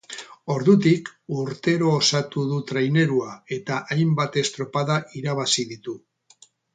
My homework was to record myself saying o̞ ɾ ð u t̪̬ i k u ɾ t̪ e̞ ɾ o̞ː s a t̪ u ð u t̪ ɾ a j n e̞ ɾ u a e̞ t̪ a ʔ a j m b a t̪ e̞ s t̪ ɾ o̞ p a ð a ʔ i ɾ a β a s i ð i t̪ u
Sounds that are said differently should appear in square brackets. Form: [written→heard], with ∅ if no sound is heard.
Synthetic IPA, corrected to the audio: o̞ ɾ ð u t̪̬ i k u ɾ t̪ e̞ ɾ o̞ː s a t̪ u ð u t̪ ɾ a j n e̞ ɾ u a e̞ t̪ a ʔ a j m b a t̪ e̞ s t̪ ɾ o̞ p a ð a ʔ i ɾ a β a s i ð i t̪ u

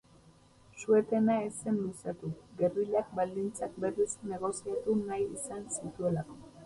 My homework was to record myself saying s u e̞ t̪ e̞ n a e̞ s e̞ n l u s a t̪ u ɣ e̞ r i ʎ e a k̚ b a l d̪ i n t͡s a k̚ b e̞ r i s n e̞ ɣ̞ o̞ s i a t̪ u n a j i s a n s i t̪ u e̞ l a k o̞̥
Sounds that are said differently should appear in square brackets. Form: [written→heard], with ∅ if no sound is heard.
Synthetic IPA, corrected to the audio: s u e̞ t̪ e̞ n a e̞ s e̞ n l u s a t̪ u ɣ e̞ r i [ʎ→l] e a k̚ b a l d̪ i n t͡s a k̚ b e̞ r i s n e̞ ɣ̞ o̞ s i a t̪ u n a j i s a n s i t̪ u e̞ l a k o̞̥

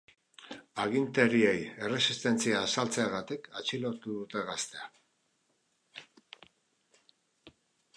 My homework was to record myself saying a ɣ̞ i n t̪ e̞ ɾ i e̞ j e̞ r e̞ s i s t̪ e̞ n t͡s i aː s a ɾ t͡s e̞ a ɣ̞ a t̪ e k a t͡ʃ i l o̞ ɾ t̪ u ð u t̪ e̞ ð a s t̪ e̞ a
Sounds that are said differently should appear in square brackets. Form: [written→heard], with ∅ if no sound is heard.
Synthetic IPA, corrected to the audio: a ɣ̞ i n t̪ e̞ ɾ i e̞ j e̞ r e̞ s i s t̪ e̞ n t͡s i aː s a [ɾ→l] t͡s e̞ a ɣ̞ a t̪ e k a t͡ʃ i l o̞ ɾ t̪ u ð u t̪ e̞ [ð→ɣ] a s t̪ e̞ a

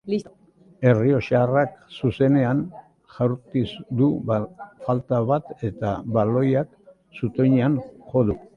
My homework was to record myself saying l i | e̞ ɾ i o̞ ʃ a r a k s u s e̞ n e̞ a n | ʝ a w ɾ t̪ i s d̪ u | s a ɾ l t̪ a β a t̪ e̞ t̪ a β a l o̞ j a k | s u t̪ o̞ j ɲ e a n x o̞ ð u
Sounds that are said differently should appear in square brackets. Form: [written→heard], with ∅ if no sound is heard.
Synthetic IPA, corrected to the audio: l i | e̞ [ɾ→r] i o̞ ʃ a r a k s u s e̞ n e̞ a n | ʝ a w ɾ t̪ i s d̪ u | [s→f] a [ɾ→∅] l t̪ a β a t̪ e̞ t̪ a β a l o̞ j a k | s u t̪ o̞ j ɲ e a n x o̞ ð u

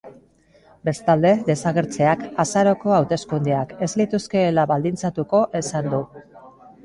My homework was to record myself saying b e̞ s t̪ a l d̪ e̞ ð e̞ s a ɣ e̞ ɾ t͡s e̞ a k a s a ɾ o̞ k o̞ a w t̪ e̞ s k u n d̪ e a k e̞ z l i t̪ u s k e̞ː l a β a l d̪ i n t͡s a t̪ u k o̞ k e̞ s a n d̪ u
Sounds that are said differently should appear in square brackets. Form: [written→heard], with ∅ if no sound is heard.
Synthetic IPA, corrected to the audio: b e̞ s t̪ a l d̪ e̞ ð e̞ s a ɣ e̞ ɾ t͡s e̞ a k a s a ɾ o̞ k o̞ a w t̪ e̞ s k u n d̪ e a k e̞ z l i t̪ u s k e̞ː l a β a l d̪ i n t͡s a t̪ u k o̞ [k→ʔ] e̞ s a n d̪ u

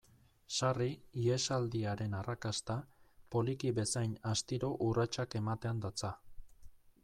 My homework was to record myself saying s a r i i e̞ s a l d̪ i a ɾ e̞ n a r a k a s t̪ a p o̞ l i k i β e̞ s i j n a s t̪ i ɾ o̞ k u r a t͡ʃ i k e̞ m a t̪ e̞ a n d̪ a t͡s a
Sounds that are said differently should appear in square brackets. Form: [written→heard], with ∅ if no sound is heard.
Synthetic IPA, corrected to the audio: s a r i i e̞ s a l d̪ i a ɾ e̞ n a r a k a s t̪ a p o̞ l i k i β e̞ s [i→a] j n a s t̪ i ɾ o̞ [k→ʔ] u r a t͡ʃ [i→a] k e̞ m a t̪ e̞ a n d̪ a t͡s a

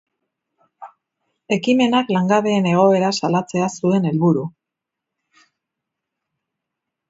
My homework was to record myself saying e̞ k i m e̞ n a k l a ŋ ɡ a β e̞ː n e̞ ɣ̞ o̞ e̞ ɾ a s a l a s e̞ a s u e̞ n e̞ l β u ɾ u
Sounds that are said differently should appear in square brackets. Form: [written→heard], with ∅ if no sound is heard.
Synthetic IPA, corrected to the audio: e̞ k i m e̞ n a k l a ŋ ɡ a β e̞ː n e̞ ɣ̞ o̞ e̞ ɾ a s a l a [s→t͡s] e̞ a s u e̞ n e̞ l β u ɾ u

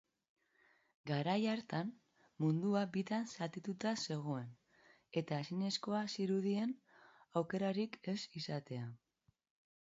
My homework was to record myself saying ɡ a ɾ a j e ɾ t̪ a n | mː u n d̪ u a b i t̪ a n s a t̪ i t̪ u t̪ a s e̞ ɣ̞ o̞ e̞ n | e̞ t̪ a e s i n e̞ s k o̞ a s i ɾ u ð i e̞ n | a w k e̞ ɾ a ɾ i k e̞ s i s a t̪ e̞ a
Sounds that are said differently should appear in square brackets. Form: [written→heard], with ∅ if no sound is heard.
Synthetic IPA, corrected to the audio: ɡ a ɾ a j [e→a] ɾ t̪ a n | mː u n d̪ u a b i t̪ a n s a t̪ i t̪ u t̪ a s e̞ ɣ̞ o̞ e̞ n | e̞ t̪ a e s i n e̞ s k o̞ a s i ɾ u ð i e̞ n | a w k e̞ ɾ a ɾ i k e̞ s i s a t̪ e̞ a

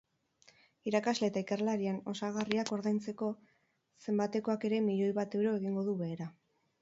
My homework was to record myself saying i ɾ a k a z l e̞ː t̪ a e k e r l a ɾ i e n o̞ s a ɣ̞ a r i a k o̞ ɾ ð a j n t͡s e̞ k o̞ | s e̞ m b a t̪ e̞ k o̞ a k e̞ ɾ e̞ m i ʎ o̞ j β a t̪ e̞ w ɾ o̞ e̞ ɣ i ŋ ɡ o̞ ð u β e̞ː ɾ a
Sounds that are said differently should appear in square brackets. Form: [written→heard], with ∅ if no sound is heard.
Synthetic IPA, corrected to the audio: i ɾ a k a z l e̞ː t̪ a [e→i] k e r l a ɾ i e n o̞ s a ɣ̞ a r i a k o̞ ɾ ð a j n t͡s e̞ k o̞ | s e̞ m b a t̪ e̞ k o̞ a k e̞ ɾ e̞ m i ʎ o̞ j β a t̪ e̞ w ɾ o̞ e̞ ɣ i ŋ ɡ o̞ ð u β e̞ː ɾ a

